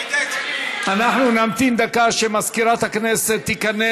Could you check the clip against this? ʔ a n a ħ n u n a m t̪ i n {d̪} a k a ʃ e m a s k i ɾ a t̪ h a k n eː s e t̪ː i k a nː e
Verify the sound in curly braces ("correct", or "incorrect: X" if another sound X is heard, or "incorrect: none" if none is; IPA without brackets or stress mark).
correct